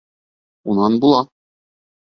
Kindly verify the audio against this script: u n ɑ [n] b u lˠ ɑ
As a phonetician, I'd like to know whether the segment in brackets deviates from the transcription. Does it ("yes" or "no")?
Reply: no